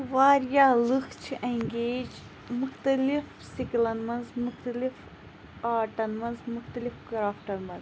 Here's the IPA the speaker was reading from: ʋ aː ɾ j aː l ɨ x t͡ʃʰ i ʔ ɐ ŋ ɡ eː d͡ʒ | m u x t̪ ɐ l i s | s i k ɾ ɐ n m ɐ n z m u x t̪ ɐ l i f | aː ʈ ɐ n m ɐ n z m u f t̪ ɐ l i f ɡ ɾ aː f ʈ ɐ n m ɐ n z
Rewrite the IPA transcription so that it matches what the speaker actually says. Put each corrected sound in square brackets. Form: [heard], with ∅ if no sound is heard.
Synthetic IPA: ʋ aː ɾ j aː l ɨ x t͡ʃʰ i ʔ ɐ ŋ ɡ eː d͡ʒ | m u x t̪ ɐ l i [f] | s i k [l] ɐ n m ɐ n z m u x t̪ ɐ l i f | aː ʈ ɐ n m ɐ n z m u [x] t̪ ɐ l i f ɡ ɾ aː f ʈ ɐ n m ɐ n z